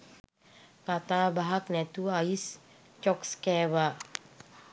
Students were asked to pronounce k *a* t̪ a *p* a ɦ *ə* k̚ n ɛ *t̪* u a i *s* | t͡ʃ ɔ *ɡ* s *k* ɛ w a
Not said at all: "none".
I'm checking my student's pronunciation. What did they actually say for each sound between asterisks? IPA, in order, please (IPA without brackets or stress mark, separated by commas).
a, b, a, t̪, s, k, k